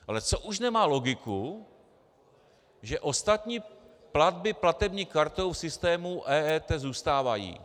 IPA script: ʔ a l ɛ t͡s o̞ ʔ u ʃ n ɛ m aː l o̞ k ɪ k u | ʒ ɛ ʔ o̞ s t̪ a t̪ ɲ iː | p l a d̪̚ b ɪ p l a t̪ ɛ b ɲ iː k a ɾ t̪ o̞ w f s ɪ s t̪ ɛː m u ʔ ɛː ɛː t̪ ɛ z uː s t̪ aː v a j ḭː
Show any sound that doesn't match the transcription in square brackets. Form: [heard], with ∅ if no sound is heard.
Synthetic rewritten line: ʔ a l ɛ t͡s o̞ ʔ u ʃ n ɛ m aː l o̞ [ɡ] ɪ k u | ʒ ɛ ʔ o̞ s t̪ a t̪ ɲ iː | p l a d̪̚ b ɪ p l a t̪ ɛ b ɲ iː k a ɾ t̪ o̞ w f s ɪ s t̪ ɛː m u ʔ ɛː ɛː t̪ ɛ z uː s t̪ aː v a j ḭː